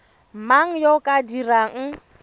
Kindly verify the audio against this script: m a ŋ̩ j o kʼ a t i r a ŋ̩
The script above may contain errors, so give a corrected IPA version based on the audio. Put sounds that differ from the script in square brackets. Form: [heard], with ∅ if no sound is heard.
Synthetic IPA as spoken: m a ŋ̩ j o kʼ a [d] i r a ŋ̩